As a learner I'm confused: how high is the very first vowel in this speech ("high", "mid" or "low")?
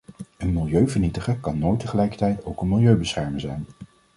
mid